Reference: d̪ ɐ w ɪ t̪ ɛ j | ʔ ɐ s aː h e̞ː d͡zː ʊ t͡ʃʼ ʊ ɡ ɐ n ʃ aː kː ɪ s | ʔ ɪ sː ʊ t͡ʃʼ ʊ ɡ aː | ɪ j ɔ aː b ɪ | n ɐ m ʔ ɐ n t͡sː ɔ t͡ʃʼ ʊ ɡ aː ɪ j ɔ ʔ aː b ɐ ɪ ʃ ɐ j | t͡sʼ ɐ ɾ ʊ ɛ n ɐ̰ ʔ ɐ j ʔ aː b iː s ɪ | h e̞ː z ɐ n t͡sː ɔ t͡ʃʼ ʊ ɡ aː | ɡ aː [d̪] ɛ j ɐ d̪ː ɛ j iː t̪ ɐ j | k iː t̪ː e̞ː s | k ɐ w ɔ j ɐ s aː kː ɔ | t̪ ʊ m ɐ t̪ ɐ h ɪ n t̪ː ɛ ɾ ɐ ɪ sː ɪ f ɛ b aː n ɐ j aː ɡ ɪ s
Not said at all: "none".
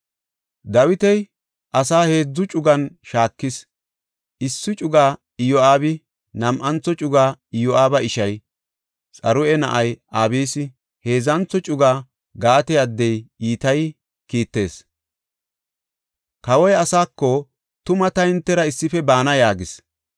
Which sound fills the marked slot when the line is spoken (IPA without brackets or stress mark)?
t̪